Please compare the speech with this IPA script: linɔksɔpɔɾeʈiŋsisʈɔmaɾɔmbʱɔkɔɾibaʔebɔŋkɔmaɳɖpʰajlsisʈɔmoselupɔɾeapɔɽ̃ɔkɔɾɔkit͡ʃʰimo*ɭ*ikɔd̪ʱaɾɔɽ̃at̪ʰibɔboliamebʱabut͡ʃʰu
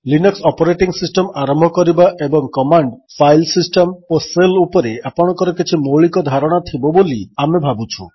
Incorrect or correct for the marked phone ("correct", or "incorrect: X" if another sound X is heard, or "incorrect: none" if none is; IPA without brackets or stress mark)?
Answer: correct